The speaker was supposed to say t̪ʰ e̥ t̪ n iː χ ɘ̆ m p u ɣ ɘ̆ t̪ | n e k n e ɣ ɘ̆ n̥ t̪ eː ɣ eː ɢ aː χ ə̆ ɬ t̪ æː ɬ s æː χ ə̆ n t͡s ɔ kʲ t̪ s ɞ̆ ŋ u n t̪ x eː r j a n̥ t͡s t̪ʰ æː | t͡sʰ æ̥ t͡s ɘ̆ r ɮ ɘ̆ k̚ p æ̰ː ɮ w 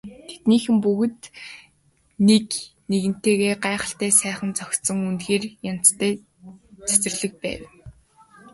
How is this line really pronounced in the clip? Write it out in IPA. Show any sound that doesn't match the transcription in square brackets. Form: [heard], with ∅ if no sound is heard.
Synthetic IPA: t̪ʰ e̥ t̪ n iː [x] ɘ̆ m p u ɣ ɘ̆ t̪ | n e k n e ɣ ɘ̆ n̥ t̪ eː ɣ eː ɢ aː χ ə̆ ɬ t̪ æː [∅] s æː χ ə̆ n t͡s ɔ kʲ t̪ s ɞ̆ ŋ u n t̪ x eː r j a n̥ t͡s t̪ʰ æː | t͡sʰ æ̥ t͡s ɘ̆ r ɮ ɘ̆ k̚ p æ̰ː [∅] w